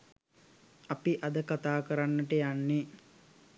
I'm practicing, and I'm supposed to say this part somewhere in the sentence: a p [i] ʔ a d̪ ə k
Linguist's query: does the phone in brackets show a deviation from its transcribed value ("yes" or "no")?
no